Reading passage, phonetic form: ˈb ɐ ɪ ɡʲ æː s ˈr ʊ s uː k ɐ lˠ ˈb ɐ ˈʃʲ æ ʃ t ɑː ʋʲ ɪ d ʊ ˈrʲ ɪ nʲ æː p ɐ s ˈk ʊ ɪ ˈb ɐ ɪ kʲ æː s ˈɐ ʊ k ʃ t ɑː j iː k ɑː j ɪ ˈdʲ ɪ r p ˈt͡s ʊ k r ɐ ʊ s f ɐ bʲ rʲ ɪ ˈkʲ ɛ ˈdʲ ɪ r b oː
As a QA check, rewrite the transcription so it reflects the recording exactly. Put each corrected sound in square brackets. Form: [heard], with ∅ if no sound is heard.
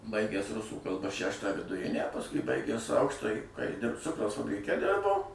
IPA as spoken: ˈb ɐ ɪ ɡʲ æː s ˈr ʊ s uː k ɐ lˠ ˈb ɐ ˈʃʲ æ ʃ t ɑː ʋʲ ɪ d ʊ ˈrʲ ɪ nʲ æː p ɐ s ˈk ʊ ɪ ˈb ɐ ɪ [ɡʲ] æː s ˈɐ ʊ k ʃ t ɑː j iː k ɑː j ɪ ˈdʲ ɪ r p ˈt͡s ʊ k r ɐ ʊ s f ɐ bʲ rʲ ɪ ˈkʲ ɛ ˈdʲ ɪ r b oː